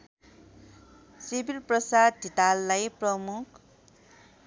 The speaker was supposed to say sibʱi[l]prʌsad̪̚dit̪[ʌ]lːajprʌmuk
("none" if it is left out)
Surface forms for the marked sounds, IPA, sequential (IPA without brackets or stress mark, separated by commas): l, a